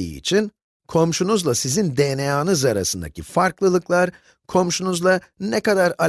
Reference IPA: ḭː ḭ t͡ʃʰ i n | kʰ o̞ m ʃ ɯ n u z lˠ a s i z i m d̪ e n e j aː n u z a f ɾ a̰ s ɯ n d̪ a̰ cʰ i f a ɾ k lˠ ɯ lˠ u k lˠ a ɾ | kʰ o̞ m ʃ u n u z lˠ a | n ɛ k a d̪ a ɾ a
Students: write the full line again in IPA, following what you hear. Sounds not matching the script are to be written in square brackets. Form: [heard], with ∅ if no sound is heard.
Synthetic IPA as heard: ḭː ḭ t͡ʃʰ i n | kʰ o̞ m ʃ [u] n u z lˠ a s i z i [n] d̪ e n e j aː n [ɯ] z a [∅] ɾ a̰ s ɯ n d̪ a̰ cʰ i f a ɾ k lˠ ɯ lˠ [ɯ] k lˠ a ɾ | kʰ o̞ m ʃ u n u z lˠ a | n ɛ k a d̪ a ɾ a